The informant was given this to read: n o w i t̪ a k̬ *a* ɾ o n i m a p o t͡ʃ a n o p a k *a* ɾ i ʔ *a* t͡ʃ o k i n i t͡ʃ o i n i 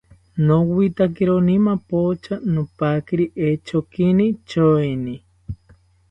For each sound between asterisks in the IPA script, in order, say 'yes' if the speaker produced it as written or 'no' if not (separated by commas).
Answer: no, no, no